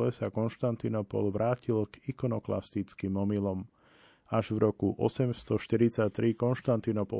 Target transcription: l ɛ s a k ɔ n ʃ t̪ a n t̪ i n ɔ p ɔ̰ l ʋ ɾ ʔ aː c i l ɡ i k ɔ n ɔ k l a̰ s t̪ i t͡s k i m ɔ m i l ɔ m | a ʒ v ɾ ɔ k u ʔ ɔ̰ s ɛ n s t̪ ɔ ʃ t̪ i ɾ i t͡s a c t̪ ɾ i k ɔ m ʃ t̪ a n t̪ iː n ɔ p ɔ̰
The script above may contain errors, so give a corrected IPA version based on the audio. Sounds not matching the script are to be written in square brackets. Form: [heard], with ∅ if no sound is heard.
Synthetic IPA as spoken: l ɛ s a k ɔ n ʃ t̪ a n t̪ i n ɔ p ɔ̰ l ʋ ɾ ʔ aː c i l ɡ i k ɔ n ɔ k l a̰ s t̪ i t͡s k i m ɔ m i l ɔ m | a ʒ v ɾ ɔ k u ʔ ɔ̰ s ɛ [m] s t̪ ɔ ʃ t̪ i ɾ i t͡s a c t̪ ɾ i k ɔ [n] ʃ t̪ a n t̪ [i] n ɔ p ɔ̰